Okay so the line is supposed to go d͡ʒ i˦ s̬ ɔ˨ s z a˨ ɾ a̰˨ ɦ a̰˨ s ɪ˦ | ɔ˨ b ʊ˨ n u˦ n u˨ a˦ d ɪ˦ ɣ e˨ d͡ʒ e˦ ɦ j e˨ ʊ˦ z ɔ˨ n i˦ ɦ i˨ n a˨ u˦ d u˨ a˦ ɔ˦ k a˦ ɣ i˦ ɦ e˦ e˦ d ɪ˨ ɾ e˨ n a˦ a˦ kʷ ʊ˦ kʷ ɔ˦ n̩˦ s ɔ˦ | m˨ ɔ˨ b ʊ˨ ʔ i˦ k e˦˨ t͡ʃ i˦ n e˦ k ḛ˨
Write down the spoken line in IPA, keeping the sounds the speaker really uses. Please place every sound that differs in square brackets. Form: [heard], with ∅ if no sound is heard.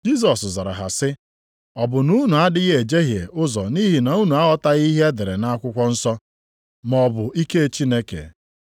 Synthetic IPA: d͡ʒ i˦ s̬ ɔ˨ s z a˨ ɾ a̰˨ ɦ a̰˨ s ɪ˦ | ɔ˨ b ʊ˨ n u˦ n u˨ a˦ d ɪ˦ ɣ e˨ d͡ʒ e˦ ɦ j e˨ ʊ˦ z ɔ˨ n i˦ ɦ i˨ n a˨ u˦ [n] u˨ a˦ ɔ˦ [t] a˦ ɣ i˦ ɦ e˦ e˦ d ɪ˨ ɾ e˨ n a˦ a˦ kʷ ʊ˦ kʷ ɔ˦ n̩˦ s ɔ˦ | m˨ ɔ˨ b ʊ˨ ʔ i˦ k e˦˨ t͡ʃ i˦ n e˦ k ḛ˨